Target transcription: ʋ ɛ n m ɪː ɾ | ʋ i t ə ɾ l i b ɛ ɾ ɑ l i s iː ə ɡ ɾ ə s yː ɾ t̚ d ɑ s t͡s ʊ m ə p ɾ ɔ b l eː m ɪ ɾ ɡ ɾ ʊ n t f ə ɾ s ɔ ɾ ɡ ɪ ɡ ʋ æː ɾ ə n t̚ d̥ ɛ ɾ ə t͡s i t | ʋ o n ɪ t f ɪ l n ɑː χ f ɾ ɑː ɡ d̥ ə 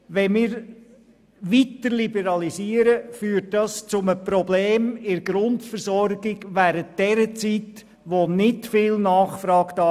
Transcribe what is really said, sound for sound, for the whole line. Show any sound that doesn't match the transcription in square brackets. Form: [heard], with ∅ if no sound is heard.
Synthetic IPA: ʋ ɛ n m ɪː ɾ | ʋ i t ə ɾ l i b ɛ ɾ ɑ l i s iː ə [∅] ɾ ə [f] yː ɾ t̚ d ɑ s t͡s ʊ m ə p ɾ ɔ b l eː m ɪ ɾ ɡ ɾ ʊ n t f ə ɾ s ɔ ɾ ɡ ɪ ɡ ʋ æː ɾ ə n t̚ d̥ ɛ ɾ ə t͡s i t | ʋ o n ɪ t f ɪ l n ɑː χ f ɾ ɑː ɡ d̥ [ɑ]